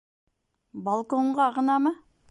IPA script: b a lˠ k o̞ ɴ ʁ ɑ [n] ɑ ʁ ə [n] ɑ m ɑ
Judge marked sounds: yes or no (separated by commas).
no, yes